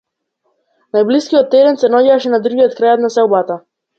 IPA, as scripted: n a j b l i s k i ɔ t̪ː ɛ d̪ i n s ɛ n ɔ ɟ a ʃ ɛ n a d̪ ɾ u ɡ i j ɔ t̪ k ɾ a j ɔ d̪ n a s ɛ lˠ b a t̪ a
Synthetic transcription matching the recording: n a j b l i s k i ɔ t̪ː ɛ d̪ ɛ n s ɛ n ɔ ɟ a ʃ ɛ n a d̪ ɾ u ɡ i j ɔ t̪ k ɾ a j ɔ t̪ n a s ɛ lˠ b a t̪ a